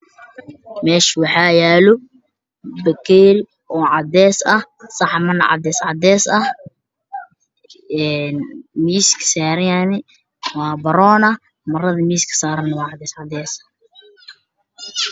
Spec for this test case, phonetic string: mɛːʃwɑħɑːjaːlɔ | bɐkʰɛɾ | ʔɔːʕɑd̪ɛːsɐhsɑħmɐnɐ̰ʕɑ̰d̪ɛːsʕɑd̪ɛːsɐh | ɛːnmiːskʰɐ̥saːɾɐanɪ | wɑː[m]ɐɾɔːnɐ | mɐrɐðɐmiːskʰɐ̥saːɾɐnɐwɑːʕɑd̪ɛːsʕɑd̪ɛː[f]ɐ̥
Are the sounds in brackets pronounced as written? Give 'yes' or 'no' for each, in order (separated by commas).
no, no